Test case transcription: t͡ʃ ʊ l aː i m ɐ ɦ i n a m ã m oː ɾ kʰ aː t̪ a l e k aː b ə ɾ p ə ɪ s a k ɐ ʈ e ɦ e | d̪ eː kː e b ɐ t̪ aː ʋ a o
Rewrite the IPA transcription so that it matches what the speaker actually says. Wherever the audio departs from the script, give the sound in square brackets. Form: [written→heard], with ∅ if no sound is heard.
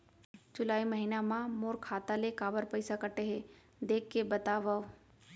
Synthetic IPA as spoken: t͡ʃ ʊ l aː i m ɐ ɦ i n a m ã m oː ɾ kʰ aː t̪ a l e k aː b ə ɾ p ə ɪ s a k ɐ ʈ e ɦ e | d̪ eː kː e b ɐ t̪ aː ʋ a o